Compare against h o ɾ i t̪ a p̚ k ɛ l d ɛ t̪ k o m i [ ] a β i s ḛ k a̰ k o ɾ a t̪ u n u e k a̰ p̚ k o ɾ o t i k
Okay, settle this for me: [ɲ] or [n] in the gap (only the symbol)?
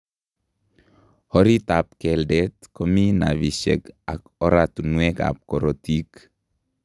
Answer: n